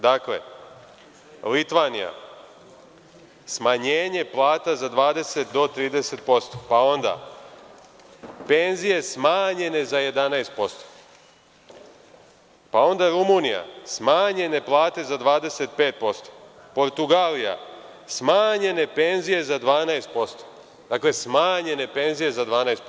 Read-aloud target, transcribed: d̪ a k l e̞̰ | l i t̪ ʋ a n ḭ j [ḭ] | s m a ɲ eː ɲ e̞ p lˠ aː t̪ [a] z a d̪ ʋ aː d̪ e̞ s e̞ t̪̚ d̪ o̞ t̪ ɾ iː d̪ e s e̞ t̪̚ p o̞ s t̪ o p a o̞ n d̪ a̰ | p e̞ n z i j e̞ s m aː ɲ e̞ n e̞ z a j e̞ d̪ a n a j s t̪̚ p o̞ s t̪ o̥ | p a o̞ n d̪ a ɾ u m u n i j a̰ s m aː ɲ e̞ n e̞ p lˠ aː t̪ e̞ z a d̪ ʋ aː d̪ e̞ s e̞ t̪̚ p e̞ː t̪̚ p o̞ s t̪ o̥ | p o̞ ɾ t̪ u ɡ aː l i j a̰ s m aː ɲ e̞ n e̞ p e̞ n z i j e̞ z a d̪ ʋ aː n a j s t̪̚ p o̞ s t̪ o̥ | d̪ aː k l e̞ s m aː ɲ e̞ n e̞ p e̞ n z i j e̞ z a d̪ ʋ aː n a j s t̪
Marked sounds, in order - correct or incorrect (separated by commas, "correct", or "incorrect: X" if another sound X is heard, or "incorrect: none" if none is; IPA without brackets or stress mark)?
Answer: incorrect: a̰, correct